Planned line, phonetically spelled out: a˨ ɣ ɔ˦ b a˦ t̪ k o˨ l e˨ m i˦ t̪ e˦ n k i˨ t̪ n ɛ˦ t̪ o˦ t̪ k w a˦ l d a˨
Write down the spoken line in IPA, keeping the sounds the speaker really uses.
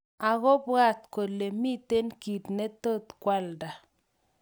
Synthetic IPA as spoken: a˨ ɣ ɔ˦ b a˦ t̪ k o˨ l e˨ m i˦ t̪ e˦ n k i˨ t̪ n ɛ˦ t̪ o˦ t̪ k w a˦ l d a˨